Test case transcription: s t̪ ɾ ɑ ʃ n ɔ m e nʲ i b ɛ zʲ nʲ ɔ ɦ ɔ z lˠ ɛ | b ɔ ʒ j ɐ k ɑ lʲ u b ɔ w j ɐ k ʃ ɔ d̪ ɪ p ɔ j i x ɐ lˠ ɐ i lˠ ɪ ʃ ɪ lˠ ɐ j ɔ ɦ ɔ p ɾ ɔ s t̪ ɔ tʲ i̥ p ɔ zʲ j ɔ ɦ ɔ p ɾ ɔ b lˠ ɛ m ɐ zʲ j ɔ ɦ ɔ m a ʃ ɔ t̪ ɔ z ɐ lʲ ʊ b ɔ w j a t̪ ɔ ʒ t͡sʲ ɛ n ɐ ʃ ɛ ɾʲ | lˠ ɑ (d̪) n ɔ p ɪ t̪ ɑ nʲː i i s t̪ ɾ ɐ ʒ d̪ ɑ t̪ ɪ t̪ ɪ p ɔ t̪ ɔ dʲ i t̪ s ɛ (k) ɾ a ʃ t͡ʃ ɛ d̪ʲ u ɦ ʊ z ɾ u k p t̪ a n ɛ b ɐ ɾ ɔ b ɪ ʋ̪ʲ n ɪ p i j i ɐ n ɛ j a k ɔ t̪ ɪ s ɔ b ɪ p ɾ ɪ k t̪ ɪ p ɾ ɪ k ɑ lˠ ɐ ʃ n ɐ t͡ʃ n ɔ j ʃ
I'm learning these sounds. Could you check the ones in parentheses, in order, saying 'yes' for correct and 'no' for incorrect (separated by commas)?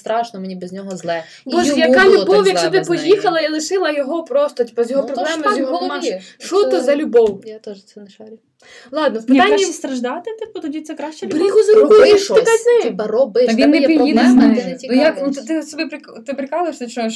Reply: yes, yes